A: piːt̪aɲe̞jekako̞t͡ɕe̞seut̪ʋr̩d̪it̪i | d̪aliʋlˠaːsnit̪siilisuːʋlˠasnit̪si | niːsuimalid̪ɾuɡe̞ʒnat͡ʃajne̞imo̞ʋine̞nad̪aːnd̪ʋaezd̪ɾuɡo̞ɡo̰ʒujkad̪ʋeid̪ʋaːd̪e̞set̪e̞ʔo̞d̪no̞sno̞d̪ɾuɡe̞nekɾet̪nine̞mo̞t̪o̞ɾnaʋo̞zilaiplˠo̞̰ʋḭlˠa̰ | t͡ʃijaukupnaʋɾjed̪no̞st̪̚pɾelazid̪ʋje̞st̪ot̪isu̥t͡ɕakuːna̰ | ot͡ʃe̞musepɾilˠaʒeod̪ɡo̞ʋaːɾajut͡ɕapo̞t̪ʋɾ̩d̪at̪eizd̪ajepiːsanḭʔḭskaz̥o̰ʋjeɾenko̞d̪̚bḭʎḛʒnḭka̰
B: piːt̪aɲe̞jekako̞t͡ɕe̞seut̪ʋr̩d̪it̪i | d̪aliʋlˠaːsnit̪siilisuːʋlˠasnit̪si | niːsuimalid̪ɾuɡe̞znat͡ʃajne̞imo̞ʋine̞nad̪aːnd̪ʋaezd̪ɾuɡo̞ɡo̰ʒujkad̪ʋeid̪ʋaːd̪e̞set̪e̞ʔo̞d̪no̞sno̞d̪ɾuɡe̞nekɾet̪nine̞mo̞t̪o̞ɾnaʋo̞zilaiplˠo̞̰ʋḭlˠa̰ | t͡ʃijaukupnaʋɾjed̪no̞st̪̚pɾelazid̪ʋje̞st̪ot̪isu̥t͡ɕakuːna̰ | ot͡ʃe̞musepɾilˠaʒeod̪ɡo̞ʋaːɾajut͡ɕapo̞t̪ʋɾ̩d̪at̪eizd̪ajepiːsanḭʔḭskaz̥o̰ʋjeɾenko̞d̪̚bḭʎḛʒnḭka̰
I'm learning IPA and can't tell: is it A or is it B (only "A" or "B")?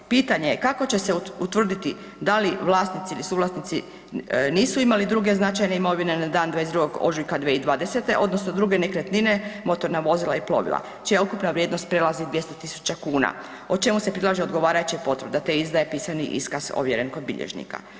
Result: B